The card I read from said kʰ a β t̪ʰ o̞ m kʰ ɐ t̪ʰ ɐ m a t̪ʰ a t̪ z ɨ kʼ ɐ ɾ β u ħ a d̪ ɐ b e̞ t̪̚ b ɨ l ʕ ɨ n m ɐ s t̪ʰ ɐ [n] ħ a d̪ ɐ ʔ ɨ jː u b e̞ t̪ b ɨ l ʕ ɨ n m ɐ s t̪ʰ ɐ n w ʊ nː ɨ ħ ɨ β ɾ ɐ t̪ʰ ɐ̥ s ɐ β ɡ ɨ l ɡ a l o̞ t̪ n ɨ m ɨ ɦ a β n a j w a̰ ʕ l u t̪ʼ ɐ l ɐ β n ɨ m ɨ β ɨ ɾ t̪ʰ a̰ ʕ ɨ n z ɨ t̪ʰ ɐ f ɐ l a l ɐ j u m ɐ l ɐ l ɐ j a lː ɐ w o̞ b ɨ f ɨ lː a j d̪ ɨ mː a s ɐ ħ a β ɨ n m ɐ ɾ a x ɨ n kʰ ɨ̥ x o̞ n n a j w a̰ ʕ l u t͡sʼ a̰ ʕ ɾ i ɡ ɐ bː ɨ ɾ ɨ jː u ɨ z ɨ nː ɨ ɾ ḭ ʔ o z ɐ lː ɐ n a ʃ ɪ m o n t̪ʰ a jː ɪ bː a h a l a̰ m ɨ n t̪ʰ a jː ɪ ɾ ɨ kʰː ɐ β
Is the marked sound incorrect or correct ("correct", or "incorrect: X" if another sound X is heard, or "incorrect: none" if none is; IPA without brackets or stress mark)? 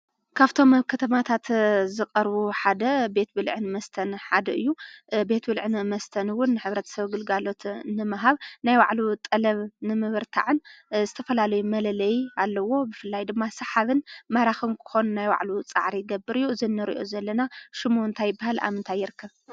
correct